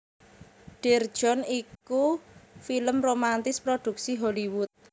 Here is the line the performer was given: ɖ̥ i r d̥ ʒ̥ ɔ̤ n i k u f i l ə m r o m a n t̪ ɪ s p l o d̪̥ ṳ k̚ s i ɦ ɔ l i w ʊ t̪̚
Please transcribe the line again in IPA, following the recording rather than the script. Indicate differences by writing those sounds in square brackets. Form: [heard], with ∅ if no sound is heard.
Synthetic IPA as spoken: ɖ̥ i r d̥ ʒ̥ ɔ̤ n i k u f i l ə m r o m a n t̪ ɪ s p [ɾ] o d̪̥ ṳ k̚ s i ɦ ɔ l i w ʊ t̪̚